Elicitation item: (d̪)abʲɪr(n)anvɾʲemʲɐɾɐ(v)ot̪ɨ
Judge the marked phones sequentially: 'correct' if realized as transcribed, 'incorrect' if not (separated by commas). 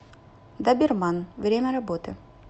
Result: correct, incorrect, incorrect